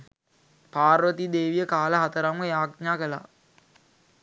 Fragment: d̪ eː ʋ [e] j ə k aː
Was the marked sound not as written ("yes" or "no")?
yes